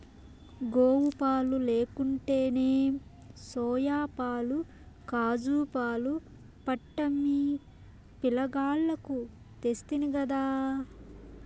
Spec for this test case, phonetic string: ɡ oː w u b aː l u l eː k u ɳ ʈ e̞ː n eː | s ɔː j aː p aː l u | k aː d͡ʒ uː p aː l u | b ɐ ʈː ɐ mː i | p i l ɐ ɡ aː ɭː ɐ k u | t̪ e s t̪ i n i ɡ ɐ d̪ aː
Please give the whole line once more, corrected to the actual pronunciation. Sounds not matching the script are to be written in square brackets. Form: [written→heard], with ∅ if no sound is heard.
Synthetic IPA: ɡ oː w u [b→p] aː l u l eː k u ɳ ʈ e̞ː n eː | s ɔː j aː p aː l u | k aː d͡ʒ uː p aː l u | [b→p] ɐ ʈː ɐ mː i | p i l ɐ ɡ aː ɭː ɐ k u | t̪ e s t̪ i n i ɡ ɐ d̪ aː